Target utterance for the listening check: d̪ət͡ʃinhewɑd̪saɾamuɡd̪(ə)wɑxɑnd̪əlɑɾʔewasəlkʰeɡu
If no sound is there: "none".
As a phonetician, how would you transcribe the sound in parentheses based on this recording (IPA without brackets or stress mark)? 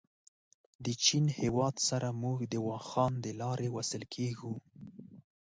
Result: ə